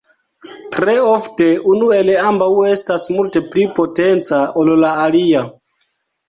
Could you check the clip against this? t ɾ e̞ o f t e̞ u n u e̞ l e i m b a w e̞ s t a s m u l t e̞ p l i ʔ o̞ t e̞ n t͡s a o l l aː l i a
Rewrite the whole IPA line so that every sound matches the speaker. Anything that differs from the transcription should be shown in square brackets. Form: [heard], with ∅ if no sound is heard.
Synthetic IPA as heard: t ɾ e̞ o f t e̞ u n u e̞ l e [a] m b a w e̞ s t a s m u l t e̞ p l i [p] o̞ t e̞ n t͡s a o l l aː l i a

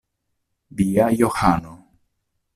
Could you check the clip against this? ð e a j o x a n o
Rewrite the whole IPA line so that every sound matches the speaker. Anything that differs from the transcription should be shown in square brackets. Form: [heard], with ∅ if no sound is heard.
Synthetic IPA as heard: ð [i] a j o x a n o

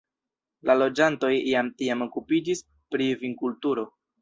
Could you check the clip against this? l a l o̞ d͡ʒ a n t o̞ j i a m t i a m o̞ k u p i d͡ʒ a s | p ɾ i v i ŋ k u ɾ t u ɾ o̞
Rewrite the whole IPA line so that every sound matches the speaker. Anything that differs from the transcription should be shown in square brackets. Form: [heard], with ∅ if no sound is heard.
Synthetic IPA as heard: l a l o̞ d͡ʒ a n t o̞ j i a m t i a m o̞ k u p i d͡ʒ [i] s | p ɾ i v i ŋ k u [l] t u ɾ o̞

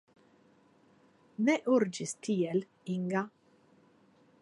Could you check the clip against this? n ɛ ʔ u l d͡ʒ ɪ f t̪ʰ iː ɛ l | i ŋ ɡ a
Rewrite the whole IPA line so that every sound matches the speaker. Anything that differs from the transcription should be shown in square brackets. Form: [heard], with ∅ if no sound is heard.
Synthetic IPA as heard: n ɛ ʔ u [ɾ] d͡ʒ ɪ [s] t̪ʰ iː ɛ l | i ŋ ɡ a

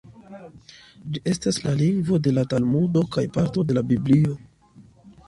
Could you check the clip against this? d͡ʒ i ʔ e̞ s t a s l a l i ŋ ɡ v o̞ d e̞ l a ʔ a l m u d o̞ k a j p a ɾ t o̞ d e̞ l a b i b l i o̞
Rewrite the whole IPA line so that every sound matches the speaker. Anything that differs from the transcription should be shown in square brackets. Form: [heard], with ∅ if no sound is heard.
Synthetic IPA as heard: d͡ʒ i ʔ e̞ s t a s l a l i ŋ ɡ v o̞ d e̞ l a [t] a l m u d o̞ k a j p a ɾ t o̞ d e̞ l a b i b l i o̞

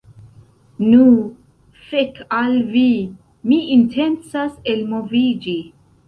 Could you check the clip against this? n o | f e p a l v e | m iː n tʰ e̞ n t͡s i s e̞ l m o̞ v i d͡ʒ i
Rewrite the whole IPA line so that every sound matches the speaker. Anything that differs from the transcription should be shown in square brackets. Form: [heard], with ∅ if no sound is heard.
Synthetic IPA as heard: n [u] | f e [k] a l v [i] | m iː n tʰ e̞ n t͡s [a] s e̞ l m o̞ v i d͡ʒ i

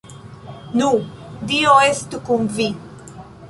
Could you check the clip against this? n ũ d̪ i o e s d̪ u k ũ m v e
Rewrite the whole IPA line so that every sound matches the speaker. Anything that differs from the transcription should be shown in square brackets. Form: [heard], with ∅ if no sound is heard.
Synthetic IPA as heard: n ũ d̪ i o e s [t̪] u k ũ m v [i]

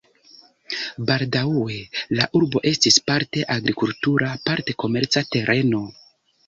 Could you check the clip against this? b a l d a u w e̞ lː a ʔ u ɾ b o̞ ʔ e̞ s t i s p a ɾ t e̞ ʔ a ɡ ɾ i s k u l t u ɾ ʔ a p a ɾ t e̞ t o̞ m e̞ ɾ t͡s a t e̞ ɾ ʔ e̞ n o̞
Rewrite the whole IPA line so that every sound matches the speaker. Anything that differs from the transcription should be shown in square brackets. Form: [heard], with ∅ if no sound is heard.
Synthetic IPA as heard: b a l d a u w e̞ [l] a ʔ u ɾ b o̞ ʔ e̞ s t i s p a ɾ t e̞ ʔ a ɡ ɾ i [∅] k u l t u ɾ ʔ a p a ɾ t e̞ [k] o̞ m e̞ ɾ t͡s a t e̞ ɾ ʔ e̞ n o̞

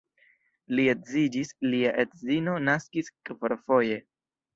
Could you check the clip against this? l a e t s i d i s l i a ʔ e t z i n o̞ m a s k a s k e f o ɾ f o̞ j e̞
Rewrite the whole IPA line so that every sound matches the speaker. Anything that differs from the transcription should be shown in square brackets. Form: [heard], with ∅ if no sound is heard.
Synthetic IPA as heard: l [i] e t [z] i [d͡ʒ] i s l i a ʔ e t z i n o̞ [n] a s k [i] s k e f o ɾ f o̞ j e̞

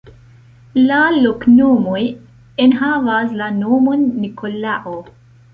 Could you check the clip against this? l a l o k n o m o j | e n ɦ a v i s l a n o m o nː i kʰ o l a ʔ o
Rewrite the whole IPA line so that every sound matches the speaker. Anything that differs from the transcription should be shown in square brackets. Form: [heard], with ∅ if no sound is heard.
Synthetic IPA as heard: l a l o k n o m o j | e n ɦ a v [a] s l a n o m o nː i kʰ o l a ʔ o

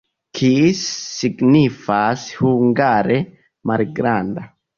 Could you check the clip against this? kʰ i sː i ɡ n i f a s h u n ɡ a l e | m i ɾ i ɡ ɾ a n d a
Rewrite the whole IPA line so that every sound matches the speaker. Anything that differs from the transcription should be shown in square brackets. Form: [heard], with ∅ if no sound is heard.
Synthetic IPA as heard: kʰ i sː i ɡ n i f a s h u [ŋ] ɡ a [ɾ] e | m [a] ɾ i ɡ ɾ a n d a

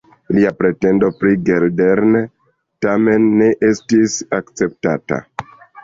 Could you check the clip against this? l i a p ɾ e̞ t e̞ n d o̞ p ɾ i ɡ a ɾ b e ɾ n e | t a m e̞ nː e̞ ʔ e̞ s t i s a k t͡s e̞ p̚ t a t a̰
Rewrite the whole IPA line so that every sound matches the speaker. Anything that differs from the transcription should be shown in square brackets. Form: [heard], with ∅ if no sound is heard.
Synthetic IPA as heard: l i a p ɾ e̞ t e̞ n d o̞ p ɾ i ɡ [e] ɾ [d] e ɾ n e | t a m e̞ nː e̞ ʔ e̞ s t i s a k t͡s e̞ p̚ t a t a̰

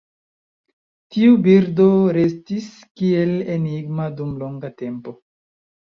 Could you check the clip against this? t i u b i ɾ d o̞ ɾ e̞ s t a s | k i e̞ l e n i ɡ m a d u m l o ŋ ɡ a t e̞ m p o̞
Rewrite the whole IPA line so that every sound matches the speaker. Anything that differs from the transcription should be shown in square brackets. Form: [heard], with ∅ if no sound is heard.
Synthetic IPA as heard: t i u b i ɾ d o̞ ɾ e̞ s t [i] s | k i e̞ l e n i ɡ m a d u m l o ŋ ɡ a t e̞ m p o̞

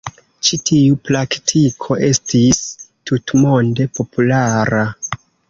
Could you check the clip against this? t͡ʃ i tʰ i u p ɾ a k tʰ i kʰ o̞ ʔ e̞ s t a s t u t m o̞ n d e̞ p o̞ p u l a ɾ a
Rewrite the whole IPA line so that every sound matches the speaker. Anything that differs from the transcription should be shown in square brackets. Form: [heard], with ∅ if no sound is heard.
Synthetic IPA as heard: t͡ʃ i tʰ i u p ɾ a k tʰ i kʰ o̞ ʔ e̞ s t [i] s t u t m o̞ n d e̞ p o̞ p u l a ɾ a

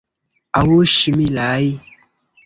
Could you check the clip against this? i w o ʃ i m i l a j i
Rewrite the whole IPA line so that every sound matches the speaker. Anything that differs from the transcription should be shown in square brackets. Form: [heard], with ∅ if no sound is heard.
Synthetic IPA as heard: [a] w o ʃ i m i l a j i

